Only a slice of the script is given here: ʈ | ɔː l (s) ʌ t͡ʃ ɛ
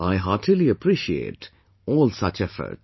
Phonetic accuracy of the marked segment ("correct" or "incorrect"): correct